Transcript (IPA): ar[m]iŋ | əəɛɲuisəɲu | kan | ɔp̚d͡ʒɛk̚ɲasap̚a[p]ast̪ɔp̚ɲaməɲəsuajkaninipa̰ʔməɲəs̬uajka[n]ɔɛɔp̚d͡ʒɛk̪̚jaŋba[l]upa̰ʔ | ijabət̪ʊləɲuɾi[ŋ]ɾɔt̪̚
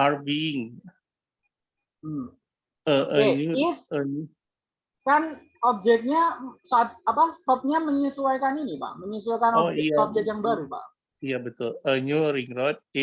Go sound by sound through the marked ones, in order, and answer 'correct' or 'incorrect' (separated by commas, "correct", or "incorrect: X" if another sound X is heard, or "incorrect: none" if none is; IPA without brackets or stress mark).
incorrect: b, correct, correct, incorrect: ɾ, correct